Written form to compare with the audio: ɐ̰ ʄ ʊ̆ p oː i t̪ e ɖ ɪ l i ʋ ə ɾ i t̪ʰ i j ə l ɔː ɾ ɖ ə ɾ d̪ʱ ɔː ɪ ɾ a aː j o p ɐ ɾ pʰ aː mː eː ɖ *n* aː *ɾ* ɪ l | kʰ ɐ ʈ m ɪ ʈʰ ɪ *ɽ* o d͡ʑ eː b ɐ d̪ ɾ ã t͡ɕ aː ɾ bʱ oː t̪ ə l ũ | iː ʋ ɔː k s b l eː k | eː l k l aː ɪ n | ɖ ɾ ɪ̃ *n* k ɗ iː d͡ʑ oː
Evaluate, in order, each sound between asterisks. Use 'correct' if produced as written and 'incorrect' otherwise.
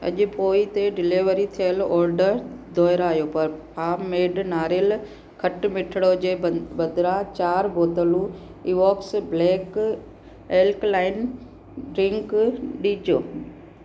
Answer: correct, correct, correct, incorrect

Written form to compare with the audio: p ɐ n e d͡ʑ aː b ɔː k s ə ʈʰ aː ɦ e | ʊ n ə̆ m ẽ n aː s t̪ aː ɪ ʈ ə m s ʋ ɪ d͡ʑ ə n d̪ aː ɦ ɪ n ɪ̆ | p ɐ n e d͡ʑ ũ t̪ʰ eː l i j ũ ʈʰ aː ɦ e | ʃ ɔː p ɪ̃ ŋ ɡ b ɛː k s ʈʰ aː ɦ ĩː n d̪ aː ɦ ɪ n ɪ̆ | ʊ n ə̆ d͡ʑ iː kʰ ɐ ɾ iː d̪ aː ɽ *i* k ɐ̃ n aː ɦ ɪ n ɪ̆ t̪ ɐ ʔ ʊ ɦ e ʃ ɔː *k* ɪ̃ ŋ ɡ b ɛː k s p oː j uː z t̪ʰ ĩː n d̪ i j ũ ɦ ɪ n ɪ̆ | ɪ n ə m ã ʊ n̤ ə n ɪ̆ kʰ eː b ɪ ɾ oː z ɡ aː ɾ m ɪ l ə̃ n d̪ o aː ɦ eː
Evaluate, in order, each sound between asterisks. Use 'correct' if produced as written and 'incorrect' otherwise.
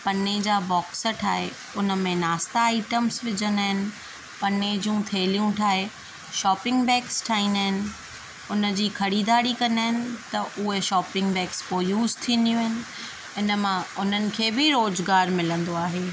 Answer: correct, incorrect

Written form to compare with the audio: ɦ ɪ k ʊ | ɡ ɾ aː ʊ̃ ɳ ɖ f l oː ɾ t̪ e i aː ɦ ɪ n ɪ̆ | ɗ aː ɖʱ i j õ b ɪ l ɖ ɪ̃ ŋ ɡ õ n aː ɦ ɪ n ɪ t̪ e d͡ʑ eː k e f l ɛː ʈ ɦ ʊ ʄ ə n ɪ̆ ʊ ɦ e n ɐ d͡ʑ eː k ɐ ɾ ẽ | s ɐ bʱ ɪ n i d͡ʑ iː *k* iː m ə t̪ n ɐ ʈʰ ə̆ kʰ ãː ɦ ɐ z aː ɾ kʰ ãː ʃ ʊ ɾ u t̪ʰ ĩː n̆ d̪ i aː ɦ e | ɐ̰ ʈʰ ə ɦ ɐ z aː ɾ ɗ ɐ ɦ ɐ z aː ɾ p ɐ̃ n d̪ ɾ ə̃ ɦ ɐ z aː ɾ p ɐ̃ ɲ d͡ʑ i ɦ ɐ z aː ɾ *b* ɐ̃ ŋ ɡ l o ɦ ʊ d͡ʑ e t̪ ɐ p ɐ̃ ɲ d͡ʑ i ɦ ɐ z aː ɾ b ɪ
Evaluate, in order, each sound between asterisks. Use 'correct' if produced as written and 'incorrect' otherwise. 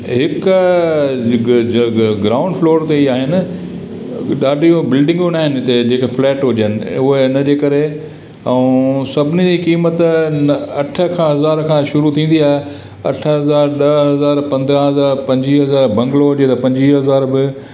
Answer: correct, correct

